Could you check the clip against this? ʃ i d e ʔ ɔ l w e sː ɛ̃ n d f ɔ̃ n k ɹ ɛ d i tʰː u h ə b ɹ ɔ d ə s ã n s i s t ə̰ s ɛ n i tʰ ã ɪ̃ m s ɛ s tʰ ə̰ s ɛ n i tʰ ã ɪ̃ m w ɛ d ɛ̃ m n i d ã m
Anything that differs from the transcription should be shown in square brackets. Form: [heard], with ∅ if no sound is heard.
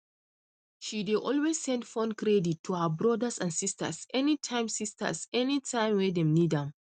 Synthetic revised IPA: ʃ i d e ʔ ɔ l w e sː ɛ̃ n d f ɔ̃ n k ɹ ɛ d i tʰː u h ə b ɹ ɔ d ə s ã n s i s t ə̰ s ɛ n i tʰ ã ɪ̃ m s [i] s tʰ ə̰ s ɛ n i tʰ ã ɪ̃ m w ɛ d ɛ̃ m n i d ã m

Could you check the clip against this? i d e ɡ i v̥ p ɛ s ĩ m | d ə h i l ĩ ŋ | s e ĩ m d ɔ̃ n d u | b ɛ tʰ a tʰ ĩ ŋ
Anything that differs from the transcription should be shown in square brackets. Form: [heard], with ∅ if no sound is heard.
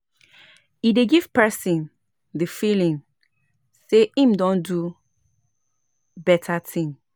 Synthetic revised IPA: i d e ɡ i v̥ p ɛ s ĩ [n] | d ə [f] i l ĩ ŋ | s e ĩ m d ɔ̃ n d u | b ɛ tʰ a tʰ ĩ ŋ

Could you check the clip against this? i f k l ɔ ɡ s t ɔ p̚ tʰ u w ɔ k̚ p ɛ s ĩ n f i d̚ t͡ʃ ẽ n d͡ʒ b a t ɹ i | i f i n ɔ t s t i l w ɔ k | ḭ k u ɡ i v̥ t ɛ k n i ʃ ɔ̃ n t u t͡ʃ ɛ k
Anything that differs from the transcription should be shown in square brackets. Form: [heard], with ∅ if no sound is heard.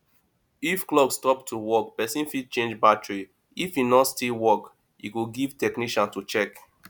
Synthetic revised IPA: i f k l ɔ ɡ s t ɔ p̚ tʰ u w ɔ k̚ p ɛ s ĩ n f i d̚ t͡ʃ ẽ n d͡ʒ b a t ɹ i | i f i n ɔ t s t i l w ɔ k | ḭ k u ɡ i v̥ t ɛ k n i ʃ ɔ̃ n t u t͡ʃ ɛ k

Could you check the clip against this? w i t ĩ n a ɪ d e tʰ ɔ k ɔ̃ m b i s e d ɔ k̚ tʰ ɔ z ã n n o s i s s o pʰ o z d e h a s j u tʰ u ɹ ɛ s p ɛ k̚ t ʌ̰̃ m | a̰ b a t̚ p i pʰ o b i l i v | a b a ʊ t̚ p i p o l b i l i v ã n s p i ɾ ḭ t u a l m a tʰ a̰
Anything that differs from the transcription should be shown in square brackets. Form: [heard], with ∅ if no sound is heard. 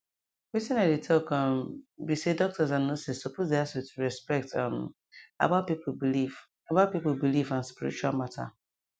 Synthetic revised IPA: w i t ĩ n a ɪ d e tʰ ɔ k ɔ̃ m b i s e d ɔ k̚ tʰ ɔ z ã n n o s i s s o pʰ o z d e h a s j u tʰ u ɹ ɛ s p ɛ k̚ t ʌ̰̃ m | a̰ b a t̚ p i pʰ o b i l i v | a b a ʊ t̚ p i p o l b i l i v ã n s p i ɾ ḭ [t͡ʃ] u a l m a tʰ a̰

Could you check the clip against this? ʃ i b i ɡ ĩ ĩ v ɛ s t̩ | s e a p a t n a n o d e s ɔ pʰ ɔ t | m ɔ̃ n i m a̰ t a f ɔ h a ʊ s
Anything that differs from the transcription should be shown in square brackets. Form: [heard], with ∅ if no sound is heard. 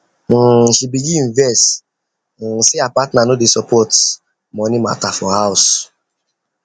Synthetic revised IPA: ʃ i b i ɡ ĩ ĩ v ɛ s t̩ | s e a p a t n a n o d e s ɔ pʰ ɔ t | m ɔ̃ n i m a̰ t a f ɔ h a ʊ s

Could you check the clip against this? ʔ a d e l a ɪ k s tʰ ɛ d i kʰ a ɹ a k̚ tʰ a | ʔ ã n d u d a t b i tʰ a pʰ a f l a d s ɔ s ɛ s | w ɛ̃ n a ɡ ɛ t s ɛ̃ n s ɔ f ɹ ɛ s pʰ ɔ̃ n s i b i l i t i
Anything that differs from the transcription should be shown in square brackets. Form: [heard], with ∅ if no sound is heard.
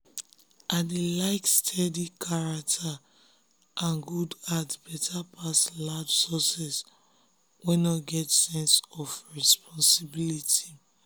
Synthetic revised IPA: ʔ a d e l a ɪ k s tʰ ɛ d i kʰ a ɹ a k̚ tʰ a | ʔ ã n [ɡ] u d a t b [ɛ] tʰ a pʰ a [s] l a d s ɔ s ɛ s | w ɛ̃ n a ɡ ɛ t s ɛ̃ n s ɔ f ɹ ɛ s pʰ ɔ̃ n s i b i l i t i

